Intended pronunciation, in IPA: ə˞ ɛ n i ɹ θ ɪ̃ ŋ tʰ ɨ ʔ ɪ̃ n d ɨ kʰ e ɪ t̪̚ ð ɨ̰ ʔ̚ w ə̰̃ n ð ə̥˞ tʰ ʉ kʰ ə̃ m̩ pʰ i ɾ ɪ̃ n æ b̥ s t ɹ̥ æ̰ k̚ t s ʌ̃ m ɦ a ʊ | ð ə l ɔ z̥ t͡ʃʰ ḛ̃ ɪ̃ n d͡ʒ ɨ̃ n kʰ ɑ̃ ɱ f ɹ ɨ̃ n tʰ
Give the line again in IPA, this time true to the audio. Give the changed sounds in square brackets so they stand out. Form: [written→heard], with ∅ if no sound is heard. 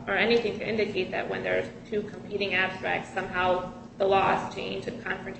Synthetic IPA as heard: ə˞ ɛ n i [ɹ→∅] θ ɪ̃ ŋ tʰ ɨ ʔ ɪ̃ n d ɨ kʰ e ɪ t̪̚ ð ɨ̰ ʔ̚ w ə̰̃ n ð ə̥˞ tʰ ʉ kʰ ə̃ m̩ pʰ i ɾ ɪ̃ [n→ŋ] æ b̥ s t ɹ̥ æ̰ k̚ t s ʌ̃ m ɦ a ʊ | ð ə l ɔ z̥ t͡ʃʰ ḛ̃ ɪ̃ n d͡ʒ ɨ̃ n kʰ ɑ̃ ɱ f ɹ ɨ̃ n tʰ